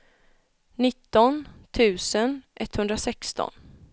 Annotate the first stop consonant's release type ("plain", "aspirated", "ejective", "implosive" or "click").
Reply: plain